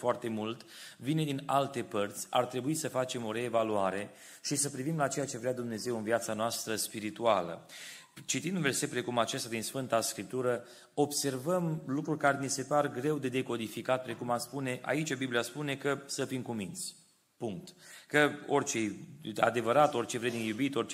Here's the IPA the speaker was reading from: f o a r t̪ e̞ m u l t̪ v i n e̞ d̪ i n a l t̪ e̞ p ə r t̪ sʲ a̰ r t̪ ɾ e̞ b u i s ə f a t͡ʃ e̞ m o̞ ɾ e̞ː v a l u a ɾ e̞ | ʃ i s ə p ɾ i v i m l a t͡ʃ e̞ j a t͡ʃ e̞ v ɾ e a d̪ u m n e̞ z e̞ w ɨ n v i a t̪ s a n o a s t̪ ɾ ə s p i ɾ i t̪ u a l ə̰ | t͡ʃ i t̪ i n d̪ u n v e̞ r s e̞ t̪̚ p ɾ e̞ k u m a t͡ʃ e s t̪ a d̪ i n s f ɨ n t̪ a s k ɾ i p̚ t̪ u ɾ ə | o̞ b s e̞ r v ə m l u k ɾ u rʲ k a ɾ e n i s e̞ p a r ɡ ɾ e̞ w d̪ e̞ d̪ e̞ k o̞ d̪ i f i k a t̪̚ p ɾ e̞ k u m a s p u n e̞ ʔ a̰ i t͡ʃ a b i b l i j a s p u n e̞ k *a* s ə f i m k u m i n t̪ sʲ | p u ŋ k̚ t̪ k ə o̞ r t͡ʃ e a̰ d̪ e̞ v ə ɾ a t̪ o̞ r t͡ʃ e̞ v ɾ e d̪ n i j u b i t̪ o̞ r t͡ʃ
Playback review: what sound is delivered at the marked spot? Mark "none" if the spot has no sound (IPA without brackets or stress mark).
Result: ə